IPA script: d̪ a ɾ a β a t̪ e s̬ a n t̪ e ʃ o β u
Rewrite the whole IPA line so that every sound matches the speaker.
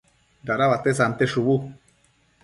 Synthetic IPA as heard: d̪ a ɾ a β a t̪ e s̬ a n t̪ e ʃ u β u